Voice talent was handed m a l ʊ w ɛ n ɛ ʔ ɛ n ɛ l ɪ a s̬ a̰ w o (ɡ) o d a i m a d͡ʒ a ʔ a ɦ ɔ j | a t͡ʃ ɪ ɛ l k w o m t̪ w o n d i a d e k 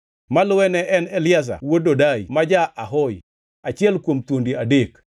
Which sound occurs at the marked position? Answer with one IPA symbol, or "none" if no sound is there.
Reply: d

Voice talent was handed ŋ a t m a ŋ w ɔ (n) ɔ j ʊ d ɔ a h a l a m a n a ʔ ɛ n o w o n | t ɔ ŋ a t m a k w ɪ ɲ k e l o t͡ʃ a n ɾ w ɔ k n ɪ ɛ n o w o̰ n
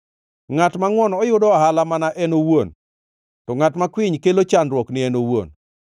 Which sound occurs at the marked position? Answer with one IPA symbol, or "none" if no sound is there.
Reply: n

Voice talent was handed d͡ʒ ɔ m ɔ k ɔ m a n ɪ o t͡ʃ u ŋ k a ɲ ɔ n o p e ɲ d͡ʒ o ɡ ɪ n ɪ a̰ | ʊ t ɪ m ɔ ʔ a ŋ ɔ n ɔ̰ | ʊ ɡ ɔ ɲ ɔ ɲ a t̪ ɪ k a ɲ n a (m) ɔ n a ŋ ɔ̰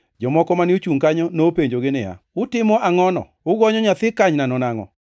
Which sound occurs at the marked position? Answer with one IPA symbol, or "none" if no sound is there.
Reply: n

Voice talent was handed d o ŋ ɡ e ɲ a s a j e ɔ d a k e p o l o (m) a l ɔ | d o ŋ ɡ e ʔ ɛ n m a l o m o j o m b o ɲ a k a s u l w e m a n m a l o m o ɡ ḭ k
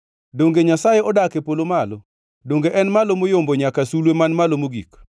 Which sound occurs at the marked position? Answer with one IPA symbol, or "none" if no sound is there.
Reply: m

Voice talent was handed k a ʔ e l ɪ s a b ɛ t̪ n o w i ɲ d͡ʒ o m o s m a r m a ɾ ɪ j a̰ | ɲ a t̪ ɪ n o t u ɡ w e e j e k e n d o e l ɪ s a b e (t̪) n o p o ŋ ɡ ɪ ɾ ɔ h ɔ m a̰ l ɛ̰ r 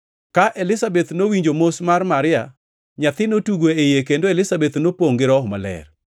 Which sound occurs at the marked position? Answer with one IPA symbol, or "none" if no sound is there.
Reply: t̪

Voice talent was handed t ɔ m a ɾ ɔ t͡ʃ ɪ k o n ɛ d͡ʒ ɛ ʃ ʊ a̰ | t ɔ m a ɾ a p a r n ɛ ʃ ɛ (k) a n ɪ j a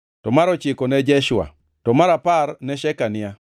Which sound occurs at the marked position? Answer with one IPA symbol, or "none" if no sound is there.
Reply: k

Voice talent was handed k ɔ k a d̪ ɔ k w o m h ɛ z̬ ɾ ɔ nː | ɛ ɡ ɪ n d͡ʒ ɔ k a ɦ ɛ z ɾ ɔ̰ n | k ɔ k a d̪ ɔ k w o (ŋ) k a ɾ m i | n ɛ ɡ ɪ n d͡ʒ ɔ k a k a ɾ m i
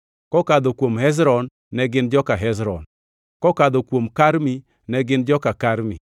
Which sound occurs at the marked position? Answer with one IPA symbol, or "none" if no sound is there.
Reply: m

